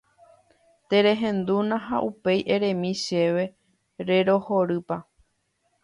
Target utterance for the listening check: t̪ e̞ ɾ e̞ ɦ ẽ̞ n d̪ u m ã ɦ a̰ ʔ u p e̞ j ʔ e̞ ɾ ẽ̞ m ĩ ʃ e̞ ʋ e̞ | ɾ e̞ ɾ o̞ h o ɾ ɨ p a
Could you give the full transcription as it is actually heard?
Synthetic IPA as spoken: t̪ e̞ ɾ e̞ ɦ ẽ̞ n d̪ u n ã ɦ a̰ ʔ u p e̞ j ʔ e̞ ɾ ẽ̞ m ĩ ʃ e̞ ʋ e̞ | ɾ e̞ ɾ o̞ h o ɾ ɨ p a